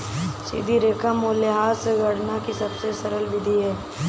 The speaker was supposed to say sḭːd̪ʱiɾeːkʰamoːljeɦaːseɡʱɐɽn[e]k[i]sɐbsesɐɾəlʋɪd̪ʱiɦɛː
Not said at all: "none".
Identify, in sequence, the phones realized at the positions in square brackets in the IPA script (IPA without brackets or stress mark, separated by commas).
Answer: a, i